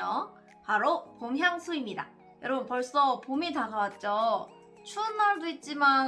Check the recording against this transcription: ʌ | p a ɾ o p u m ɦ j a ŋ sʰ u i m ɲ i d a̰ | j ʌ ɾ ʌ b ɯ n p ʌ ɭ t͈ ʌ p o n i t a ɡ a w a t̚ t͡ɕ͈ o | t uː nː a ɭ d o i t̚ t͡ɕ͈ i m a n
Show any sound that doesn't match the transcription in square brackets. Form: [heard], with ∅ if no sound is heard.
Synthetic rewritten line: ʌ | p a ɾ o p [o] m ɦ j a ŋ sʰ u i m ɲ i d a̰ | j ʌ ɾ ʌ b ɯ n p ʌ ɭ [s͈] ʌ p o [m] i t a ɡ a w a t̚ t͡ɕ͈ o | [t͡ɕʰ] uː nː a ɭ d o i t̚ t͡ɕ͈ i m a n